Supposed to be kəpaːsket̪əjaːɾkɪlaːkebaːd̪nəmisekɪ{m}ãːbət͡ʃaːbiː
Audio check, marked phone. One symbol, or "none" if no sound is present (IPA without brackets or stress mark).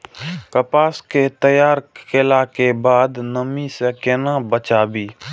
n